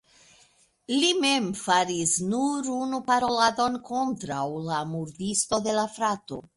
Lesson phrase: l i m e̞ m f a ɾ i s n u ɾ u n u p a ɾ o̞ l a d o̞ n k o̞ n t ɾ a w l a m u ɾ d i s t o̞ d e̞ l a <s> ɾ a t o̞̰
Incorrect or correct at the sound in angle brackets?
incorrect: f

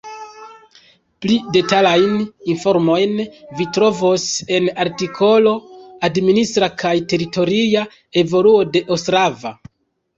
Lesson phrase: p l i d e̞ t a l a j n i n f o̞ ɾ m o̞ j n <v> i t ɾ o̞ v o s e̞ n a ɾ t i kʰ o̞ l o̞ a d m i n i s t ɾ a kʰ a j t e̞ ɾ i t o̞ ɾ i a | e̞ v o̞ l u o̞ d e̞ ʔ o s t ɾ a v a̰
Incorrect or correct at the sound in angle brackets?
correct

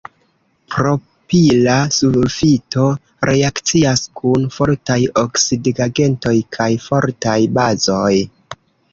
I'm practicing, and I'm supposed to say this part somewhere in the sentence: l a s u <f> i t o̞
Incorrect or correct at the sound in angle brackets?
correct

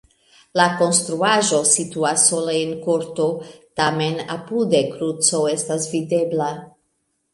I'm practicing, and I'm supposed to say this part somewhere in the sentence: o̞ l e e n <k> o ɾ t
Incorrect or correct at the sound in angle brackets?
correct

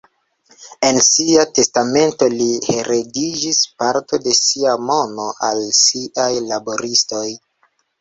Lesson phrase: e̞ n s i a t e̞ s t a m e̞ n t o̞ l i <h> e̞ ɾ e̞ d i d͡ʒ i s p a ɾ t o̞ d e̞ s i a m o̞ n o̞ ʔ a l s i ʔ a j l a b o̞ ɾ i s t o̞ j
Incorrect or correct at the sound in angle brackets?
correct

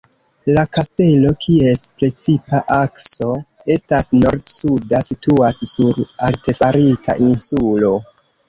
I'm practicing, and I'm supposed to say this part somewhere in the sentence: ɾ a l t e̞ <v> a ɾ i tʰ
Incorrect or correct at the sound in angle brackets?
incorrect: f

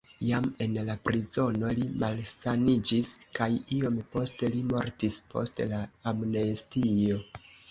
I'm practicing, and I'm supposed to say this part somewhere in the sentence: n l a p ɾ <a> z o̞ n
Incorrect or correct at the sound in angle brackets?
incorrect: i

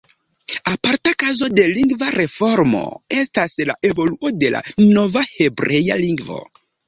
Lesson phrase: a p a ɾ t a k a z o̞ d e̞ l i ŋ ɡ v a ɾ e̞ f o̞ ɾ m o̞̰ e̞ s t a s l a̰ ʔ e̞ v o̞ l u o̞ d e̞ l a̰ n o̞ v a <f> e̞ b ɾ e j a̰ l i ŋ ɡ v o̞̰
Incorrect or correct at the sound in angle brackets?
incorrect: h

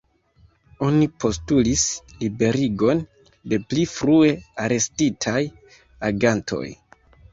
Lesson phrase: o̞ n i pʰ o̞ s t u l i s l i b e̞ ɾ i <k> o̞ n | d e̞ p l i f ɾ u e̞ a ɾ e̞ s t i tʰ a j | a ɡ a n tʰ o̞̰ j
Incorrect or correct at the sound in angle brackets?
incorrect: ɡ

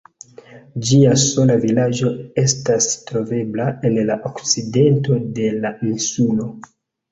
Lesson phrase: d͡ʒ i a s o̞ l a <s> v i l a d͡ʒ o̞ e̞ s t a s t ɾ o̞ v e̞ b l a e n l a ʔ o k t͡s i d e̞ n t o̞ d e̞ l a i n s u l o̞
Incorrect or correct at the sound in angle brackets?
incorrect: none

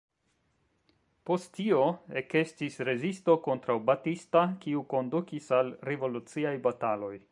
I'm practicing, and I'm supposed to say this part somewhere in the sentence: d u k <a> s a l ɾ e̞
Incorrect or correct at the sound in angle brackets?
incorrect: i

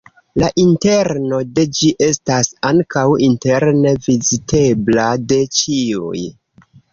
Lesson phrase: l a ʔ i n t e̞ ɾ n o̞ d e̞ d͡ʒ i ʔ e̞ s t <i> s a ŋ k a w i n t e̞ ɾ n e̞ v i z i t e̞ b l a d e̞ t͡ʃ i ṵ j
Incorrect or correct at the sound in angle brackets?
incorrect: a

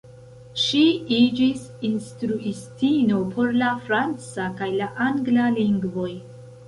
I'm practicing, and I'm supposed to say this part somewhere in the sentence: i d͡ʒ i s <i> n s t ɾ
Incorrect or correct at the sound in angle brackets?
correct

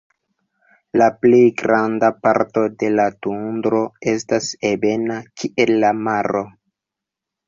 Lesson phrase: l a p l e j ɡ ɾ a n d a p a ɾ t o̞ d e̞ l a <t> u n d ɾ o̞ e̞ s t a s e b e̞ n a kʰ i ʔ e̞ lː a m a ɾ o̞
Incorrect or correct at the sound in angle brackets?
correct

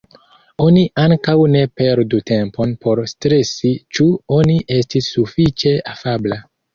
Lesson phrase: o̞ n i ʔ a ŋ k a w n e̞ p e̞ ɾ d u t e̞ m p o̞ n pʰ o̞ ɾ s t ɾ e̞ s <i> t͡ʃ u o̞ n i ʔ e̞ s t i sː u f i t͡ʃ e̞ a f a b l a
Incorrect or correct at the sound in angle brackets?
correct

